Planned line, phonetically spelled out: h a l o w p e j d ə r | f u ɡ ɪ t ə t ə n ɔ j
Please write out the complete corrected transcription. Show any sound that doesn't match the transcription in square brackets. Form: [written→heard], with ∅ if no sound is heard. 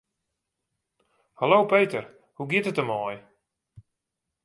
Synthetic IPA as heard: h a l o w p e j [d→t] ə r | [f→h] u ɡ ɪ t ə t ə [n→m] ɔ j